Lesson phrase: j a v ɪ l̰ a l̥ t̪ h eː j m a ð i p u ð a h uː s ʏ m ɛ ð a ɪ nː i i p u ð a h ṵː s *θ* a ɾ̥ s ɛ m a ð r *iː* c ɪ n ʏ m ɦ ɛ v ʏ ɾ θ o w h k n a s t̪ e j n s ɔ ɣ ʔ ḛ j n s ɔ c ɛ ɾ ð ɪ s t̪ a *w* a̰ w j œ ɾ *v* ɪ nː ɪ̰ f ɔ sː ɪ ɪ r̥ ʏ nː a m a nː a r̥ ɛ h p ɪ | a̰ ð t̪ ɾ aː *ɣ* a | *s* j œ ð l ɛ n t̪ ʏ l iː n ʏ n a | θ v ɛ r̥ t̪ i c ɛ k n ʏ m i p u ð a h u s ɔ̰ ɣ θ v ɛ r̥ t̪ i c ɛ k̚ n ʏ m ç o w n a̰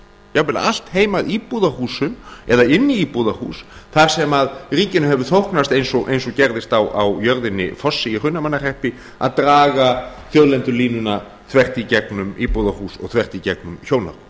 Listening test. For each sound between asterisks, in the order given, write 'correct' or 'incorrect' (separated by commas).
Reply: correct, correct, correct, incorrect, correct, incorrect